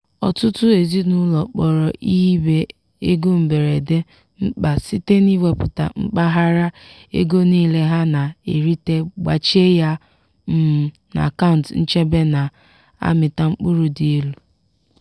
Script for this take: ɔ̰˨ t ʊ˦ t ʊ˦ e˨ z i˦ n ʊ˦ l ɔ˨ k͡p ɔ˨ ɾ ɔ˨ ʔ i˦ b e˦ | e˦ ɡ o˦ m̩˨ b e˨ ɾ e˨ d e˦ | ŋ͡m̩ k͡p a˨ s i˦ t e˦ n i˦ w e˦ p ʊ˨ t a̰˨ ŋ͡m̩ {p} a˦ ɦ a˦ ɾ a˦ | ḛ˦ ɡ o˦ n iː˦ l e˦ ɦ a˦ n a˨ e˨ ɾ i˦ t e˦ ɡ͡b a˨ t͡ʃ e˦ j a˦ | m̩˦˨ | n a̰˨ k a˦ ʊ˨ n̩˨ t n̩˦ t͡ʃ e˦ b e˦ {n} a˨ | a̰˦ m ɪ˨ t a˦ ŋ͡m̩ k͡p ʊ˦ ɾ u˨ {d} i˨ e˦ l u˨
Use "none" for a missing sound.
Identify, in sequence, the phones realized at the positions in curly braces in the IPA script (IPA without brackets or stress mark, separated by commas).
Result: k͡p, n, d